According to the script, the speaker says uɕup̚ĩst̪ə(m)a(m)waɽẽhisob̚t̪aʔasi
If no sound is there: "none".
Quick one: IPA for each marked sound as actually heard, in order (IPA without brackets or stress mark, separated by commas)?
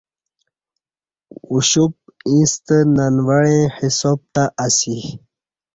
n, n